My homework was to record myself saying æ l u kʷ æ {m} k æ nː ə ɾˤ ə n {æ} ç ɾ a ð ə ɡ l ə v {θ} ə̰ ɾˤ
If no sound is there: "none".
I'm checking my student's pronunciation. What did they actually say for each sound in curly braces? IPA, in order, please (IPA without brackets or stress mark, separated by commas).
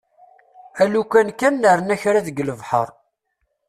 n, æ, ħ